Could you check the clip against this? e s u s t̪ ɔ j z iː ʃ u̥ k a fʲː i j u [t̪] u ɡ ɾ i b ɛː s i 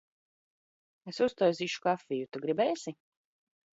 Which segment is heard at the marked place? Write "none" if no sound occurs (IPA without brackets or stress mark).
t̪